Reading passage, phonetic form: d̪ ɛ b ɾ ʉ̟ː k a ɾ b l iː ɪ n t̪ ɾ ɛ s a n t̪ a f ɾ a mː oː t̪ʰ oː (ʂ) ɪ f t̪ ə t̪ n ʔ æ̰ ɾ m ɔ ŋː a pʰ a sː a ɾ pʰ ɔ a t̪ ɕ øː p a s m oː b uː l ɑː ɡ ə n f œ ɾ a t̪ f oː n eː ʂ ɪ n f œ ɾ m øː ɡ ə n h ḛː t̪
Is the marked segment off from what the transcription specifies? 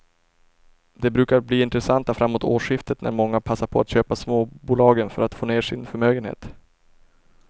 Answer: no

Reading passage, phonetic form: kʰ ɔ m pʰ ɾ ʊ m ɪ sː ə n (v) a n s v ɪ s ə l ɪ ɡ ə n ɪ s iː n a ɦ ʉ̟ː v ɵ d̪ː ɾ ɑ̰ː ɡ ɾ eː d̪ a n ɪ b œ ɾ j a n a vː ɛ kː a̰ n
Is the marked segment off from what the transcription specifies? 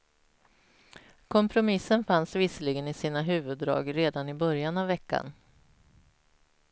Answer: yes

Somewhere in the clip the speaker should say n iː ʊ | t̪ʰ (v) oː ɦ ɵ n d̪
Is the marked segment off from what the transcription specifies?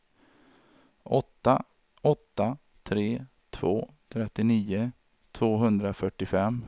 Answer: no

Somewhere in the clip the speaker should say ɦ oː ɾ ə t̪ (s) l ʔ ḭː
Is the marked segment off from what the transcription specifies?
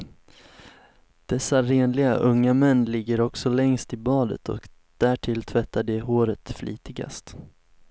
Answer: yes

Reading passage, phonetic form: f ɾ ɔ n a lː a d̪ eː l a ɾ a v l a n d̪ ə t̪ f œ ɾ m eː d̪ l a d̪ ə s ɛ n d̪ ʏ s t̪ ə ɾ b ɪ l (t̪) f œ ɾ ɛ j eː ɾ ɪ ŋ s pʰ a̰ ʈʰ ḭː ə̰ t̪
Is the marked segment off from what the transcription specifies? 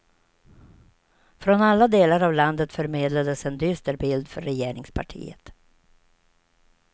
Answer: yes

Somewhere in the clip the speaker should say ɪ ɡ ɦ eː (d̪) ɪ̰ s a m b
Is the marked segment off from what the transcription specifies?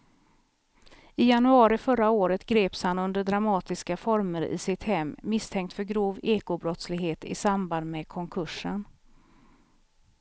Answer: yes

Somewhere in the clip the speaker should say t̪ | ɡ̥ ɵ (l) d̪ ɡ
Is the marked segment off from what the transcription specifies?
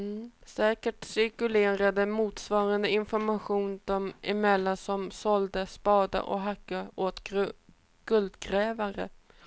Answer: no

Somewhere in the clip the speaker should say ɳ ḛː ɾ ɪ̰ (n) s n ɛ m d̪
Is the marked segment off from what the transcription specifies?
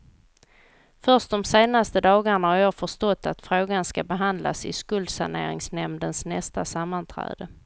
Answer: yes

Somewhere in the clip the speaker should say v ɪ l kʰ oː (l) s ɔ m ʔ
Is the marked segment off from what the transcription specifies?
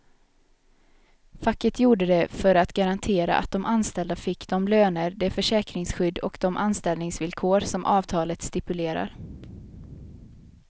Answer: yes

